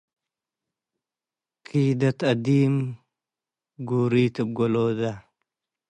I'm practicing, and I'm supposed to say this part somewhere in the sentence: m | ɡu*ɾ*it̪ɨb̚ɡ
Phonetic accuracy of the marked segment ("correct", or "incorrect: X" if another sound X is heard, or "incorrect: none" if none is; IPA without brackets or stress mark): correct